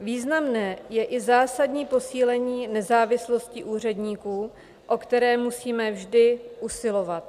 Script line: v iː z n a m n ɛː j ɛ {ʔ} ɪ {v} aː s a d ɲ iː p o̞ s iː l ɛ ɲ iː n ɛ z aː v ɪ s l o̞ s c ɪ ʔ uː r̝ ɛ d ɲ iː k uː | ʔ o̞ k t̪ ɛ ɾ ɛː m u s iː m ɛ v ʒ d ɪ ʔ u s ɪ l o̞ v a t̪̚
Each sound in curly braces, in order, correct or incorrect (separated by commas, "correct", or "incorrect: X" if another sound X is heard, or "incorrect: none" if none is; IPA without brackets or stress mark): correct, incorrect: z